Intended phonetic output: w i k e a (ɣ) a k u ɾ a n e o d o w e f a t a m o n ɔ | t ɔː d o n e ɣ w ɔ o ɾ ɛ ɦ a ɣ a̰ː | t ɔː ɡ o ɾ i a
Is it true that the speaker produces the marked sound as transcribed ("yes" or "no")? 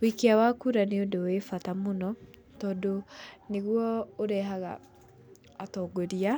no